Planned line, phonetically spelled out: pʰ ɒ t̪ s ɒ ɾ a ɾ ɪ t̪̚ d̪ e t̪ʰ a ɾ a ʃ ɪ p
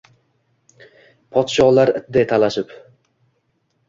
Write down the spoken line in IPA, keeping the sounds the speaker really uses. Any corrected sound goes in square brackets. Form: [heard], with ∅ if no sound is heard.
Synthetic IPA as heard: pʰ ɒ t̪ [ʃ] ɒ [l] a ɾ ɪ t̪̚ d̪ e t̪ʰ a [l] a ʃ ɪ p